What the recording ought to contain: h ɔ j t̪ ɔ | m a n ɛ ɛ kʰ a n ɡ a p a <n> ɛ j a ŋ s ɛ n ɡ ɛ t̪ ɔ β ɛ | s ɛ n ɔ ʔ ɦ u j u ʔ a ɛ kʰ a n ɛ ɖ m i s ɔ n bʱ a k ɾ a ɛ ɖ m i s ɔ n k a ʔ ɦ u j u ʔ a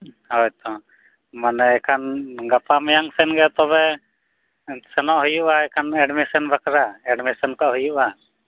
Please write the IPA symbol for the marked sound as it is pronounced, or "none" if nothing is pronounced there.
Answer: m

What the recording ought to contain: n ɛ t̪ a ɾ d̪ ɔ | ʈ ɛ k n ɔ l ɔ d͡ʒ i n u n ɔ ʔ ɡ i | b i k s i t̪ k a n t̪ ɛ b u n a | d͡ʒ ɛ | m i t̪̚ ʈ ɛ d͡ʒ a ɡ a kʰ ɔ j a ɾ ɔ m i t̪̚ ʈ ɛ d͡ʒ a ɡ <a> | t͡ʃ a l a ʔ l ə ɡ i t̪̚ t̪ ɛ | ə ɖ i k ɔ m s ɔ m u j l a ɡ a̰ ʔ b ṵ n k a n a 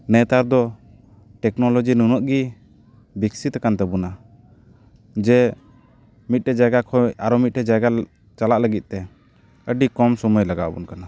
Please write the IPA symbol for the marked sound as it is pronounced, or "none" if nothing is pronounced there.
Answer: a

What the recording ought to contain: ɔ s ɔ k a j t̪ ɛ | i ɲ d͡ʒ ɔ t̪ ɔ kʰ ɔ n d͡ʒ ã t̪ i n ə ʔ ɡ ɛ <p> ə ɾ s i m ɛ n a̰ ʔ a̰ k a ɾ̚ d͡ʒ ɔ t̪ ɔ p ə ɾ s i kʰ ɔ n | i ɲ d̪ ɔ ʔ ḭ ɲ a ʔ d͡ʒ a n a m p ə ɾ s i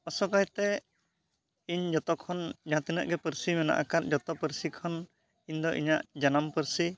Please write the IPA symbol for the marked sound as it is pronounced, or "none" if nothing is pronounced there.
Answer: p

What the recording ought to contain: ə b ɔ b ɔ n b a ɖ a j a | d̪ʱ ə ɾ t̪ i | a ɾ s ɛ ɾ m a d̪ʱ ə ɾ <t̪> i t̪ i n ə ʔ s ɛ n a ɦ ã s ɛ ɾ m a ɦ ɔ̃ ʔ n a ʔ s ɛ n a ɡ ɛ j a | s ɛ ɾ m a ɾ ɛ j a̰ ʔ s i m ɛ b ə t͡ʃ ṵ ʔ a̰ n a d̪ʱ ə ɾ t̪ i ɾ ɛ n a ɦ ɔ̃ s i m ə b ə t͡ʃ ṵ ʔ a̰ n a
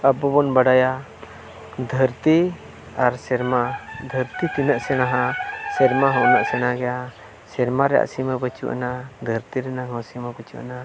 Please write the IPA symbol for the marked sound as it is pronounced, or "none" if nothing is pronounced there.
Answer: t̪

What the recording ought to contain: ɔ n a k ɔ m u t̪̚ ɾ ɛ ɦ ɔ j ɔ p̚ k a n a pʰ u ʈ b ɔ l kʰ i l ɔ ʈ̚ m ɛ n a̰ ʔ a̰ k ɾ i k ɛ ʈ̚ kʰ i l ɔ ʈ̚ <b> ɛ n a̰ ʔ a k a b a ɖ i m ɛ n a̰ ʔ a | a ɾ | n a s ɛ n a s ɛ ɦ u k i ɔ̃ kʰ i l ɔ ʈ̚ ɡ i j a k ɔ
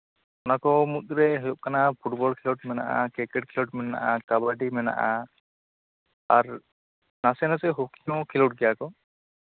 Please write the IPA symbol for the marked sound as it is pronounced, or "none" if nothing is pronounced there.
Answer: m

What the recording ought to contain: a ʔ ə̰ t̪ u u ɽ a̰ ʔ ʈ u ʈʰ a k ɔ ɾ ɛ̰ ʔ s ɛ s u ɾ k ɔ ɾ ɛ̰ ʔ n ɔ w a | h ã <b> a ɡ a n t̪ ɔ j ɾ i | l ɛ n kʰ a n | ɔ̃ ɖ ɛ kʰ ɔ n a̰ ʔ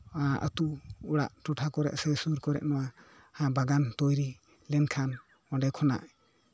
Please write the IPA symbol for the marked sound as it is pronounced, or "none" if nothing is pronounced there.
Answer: b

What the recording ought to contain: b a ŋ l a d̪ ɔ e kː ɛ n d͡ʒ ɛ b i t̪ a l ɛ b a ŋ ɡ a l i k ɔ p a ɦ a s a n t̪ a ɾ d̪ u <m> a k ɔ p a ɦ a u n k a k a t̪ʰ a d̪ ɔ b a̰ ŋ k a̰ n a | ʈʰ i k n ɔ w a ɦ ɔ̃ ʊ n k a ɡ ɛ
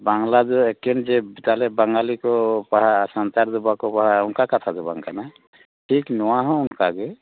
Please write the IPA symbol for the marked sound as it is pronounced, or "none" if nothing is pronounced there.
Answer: b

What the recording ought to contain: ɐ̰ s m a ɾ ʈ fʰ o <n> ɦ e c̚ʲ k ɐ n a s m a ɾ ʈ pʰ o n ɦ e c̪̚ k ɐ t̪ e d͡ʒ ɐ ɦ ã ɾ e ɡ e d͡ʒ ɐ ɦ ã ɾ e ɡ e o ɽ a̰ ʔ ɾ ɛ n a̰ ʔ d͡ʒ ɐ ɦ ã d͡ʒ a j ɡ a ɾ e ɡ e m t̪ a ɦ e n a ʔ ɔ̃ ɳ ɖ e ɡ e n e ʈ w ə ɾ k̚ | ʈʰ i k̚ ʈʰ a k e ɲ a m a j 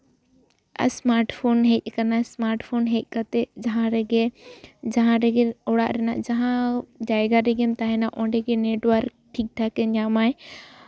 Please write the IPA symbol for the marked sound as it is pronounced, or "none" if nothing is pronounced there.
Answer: n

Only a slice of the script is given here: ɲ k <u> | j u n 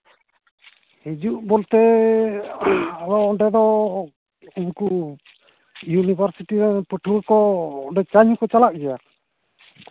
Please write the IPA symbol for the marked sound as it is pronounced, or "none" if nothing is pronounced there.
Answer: u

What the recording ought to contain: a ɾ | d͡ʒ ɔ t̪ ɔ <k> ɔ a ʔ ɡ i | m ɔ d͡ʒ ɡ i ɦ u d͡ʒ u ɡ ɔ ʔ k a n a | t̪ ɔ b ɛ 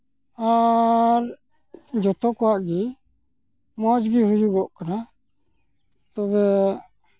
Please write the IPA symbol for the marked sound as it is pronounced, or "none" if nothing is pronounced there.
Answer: k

